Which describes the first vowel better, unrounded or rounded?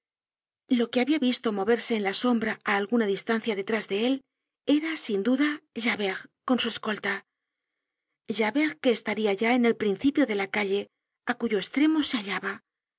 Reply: rounded